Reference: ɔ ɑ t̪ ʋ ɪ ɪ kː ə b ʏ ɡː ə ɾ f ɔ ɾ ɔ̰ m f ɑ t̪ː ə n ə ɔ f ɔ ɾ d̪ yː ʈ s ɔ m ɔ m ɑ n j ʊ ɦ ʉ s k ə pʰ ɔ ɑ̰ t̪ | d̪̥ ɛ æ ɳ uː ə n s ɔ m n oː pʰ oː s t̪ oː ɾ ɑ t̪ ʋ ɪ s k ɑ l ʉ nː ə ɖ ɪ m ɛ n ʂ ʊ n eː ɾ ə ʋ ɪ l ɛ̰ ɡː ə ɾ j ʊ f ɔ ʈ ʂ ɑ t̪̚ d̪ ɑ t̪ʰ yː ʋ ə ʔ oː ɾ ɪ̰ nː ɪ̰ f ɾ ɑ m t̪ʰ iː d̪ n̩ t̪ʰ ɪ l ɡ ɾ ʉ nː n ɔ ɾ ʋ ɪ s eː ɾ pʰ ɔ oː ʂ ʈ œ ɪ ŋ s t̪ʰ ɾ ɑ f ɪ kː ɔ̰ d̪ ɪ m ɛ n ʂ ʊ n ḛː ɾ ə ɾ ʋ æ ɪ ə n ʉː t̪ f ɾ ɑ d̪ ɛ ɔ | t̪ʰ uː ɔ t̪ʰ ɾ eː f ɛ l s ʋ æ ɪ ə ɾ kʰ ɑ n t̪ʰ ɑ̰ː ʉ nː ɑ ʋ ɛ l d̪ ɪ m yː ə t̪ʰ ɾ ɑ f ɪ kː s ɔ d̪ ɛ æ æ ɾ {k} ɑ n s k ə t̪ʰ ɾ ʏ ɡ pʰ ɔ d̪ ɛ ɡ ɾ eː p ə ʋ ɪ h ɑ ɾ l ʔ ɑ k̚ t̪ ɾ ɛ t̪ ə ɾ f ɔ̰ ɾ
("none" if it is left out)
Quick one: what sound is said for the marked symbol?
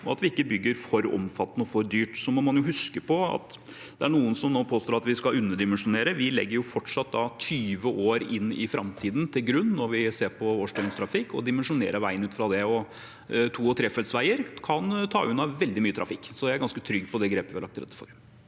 ɡ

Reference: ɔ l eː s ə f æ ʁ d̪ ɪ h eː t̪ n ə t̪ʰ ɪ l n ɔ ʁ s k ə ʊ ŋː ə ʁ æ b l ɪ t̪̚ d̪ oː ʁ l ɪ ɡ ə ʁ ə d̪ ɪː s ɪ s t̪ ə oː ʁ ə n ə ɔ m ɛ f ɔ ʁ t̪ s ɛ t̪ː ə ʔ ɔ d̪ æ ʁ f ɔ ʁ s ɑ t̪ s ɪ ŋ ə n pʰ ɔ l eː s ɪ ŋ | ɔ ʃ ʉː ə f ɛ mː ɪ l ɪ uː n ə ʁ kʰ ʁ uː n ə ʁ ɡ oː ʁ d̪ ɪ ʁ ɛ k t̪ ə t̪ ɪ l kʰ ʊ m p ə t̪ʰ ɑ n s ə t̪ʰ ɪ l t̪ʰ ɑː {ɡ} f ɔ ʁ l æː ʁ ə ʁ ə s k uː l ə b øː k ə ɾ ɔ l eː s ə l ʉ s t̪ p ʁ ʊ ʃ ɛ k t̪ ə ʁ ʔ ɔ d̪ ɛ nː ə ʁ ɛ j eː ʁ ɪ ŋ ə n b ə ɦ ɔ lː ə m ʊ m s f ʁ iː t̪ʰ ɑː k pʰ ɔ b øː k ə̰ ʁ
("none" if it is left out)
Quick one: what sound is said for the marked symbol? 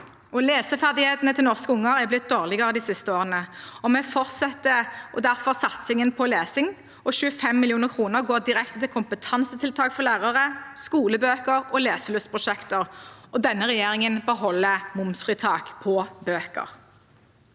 k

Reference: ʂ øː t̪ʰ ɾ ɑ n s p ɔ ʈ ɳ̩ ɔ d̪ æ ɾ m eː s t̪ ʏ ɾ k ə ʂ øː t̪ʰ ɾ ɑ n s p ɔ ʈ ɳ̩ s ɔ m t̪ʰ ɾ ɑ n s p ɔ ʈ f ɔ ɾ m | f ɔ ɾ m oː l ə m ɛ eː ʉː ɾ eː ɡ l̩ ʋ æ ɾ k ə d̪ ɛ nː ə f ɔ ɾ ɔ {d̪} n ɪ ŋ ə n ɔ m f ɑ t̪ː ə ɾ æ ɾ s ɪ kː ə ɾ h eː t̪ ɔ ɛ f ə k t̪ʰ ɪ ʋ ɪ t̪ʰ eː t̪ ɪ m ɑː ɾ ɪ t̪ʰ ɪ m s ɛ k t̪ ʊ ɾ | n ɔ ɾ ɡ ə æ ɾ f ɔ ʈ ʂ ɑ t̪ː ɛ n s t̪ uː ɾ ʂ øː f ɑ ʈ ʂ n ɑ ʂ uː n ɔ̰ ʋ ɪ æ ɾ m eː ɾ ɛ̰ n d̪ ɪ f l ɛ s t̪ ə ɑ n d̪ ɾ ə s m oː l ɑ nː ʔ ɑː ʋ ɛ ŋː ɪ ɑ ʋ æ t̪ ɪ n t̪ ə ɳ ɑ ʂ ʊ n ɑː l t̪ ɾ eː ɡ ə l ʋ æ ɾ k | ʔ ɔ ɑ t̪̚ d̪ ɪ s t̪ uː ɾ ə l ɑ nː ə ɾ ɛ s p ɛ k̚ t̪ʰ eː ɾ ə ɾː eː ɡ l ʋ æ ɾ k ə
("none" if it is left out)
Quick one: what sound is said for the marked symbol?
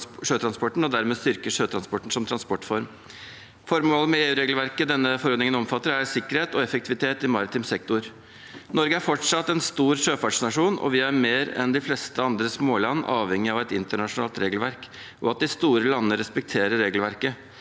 d̪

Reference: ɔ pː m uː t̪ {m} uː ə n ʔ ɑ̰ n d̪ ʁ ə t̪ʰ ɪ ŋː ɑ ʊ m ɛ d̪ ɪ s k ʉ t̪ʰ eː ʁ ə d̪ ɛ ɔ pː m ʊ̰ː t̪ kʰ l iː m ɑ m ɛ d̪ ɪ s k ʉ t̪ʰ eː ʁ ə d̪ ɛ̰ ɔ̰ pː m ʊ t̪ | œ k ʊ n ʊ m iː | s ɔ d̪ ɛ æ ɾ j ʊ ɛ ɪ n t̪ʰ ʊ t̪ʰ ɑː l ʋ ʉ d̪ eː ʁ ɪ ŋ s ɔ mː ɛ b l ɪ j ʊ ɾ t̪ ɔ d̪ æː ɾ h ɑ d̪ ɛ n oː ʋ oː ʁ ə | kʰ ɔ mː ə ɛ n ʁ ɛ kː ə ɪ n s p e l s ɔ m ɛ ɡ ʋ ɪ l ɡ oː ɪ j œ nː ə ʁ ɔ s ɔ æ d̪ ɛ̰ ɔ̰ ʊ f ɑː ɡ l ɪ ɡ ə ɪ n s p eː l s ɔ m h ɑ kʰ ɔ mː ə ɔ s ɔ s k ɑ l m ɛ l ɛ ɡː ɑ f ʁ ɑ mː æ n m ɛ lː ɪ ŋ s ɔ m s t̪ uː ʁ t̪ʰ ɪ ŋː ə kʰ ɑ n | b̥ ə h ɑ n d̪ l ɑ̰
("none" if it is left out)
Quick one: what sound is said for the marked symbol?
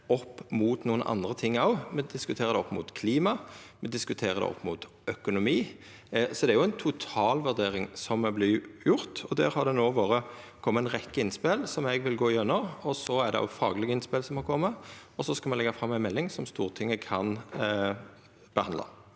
n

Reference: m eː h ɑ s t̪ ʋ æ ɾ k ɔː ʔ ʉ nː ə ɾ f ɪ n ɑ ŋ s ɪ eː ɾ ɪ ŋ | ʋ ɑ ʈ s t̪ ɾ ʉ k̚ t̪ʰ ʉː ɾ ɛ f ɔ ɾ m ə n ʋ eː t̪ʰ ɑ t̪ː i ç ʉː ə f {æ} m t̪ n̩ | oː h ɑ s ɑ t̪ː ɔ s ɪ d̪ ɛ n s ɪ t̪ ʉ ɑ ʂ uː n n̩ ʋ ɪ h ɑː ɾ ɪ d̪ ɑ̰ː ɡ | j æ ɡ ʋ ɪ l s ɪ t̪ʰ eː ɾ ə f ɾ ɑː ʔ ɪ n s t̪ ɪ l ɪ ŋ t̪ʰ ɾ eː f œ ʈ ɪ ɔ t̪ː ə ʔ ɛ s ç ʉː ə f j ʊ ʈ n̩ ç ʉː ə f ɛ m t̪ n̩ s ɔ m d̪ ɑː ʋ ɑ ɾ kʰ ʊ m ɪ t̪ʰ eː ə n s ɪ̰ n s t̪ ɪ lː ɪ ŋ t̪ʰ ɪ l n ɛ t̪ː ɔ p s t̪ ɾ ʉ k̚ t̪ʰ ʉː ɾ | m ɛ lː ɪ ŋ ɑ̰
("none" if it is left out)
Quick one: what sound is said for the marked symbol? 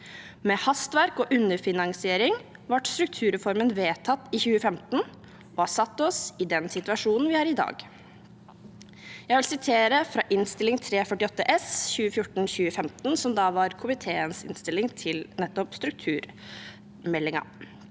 ɛ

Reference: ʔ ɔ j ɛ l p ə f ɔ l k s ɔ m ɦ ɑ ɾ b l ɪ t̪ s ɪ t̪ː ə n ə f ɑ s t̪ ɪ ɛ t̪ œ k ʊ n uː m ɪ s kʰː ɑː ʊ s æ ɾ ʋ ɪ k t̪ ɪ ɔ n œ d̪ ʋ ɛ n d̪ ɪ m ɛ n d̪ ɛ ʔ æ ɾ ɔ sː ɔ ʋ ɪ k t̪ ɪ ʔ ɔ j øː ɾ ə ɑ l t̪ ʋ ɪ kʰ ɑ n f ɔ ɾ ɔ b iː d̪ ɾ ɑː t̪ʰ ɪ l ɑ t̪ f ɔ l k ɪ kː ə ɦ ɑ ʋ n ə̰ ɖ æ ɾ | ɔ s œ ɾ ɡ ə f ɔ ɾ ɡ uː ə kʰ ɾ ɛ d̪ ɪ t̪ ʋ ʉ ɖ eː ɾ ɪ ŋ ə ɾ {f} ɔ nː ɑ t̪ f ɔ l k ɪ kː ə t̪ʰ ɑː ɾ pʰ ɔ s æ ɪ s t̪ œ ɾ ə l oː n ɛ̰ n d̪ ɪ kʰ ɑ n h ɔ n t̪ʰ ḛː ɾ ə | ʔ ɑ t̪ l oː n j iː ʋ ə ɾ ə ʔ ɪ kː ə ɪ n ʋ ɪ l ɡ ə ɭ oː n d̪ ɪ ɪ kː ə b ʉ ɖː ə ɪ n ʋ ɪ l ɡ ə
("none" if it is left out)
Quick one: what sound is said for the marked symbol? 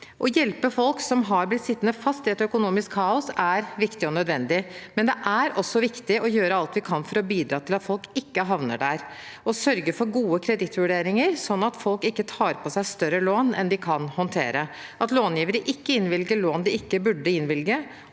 s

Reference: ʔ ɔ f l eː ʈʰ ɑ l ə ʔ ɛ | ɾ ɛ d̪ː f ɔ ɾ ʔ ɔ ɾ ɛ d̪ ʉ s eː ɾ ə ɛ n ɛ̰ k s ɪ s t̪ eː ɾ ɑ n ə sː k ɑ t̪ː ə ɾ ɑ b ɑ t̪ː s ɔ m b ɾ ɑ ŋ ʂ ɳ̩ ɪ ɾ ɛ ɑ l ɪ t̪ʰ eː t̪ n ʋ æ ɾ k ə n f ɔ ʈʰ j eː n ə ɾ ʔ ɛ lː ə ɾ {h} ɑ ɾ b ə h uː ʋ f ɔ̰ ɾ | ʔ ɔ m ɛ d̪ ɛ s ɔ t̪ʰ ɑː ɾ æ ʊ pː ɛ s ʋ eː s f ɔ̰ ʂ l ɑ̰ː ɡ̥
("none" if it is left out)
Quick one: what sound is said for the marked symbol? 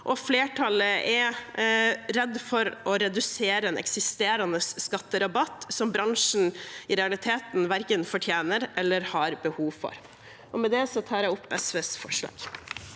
h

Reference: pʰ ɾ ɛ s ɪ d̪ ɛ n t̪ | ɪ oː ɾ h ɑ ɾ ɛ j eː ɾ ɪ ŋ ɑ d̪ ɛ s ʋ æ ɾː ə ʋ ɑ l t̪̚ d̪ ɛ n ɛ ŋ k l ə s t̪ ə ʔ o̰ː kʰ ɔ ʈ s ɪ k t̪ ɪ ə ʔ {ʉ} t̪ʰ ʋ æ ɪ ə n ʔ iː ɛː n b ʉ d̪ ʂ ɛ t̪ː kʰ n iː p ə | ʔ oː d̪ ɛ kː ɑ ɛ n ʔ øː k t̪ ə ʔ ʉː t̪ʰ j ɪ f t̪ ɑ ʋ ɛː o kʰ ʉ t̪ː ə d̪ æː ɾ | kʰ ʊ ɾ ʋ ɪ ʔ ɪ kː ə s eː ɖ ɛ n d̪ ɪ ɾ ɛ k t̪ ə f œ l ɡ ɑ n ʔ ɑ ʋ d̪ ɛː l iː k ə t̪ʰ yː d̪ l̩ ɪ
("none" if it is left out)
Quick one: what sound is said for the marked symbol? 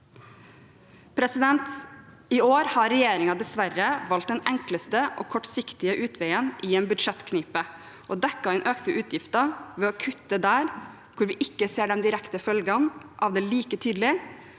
ʉː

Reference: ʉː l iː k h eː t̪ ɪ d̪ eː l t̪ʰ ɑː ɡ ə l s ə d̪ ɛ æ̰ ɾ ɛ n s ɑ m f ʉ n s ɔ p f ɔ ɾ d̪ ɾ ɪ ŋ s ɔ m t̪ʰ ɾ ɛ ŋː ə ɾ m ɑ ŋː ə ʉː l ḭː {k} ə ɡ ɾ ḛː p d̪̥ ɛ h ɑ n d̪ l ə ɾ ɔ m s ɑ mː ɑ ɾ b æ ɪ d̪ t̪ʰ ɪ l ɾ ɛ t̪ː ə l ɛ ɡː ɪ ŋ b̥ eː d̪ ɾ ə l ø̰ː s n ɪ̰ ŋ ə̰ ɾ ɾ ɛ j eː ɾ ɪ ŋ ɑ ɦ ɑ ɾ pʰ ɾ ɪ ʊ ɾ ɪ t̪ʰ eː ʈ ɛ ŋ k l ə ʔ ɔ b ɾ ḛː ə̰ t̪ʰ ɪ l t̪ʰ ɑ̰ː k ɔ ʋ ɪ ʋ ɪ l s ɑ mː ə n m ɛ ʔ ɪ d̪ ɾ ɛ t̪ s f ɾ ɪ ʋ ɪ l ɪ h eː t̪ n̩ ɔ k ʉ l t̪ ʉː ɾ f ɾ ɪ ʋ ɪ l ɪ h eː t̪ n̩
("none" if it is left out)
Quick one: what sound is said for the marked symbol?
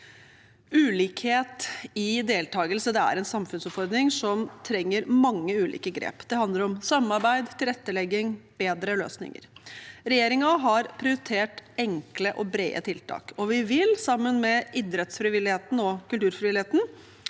k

